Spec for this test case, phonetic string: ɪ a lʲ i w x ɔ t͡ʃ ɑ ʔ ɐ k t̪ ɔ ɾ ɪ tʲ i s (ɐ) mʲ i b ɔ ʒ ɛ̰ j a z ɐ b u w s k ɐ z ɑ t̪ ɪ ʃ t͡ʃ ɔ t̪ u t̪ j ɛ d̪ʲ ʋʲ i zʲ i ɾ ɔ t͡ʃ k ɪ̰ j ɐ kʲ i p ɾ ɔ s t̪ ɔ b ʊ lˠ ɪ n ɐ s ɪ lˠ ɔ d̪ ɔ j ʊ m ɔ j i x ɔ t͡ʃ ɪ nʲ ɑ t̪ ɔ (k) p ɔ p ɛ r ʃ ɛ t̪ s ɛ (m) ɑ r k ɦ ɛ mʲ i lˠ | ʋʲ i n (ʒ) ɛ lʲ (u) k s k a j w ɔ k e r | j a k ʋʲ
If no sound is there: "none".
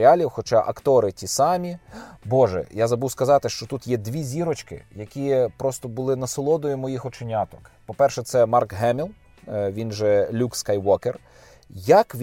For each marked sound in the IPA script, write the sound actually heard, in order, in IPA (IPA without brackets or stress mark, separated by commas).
ɑ, k, m, ʒ, u